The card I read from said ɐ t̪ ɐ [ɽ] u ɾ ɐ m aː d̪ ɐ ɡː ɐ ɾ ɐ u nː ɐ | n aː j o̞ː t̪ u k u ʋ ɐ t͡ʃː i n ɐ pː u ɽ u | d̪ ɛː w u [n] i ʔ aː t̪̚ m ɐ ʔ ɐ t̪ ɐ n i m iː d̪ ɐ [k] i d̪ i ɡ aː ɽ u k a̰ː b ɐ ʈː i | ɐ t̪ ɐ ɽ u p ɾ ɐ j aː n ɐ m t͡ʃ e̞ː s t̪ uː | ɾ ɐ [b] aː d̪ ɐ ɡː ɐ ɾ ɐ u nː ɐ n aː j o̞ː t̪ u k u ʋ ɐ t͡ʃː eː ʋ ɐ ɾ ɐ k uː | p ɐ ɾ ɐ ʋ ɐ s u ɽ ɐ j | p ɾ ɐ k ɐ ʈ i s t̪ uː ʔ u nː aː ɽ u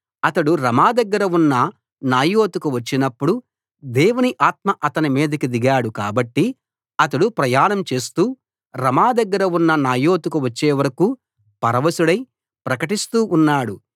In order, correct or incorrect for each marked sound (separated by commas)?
correct, correct, correct, incorrect